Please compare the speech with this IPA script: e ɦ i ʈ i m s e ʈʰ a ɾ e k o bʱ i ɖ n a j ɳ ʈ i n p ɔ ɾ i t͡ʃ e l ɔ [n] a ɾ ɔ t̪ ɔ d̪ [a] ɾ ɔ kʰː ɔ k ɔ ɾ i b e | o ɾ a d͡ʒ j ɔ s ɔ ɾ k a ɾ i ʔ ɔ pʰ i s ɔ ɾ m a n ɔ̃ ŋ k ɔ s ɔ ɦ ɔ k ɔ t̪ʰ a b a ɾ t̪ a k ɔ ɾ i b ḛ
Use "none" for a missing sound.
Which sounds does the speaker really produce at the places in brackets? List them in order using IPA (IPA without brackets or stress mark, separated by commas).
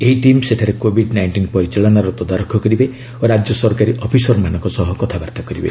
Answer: n, a